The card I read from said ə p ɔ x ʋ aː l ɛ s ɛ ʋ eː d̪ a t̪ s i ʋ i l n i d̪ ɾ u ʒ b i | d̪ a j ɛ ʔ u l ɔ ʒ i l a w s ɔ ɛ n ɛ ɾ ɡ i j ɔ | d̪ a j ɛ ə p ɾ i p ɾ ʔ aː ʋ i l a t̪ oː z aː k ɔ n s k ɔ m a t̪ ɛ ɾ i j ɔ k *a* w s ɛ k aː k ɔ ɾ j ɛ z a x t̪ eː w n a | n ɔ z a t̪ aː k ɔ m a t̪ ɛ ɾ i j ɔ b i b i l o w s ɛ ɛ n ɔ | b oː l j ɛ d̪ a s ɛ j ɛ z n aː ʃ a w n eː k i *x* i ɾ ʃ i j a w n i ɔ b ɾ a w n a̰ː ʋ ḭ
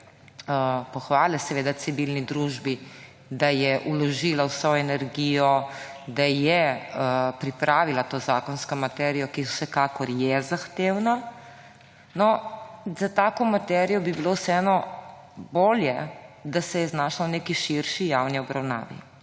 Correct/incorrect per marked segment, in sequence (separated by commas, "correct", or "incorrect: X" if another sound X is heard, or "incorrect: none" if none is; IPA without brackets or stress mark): incorrect: i, incorrect: ʃ